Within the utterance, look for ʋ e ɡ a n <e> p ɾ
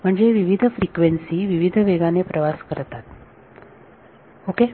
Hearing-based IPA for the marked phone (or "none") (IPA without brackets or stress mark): e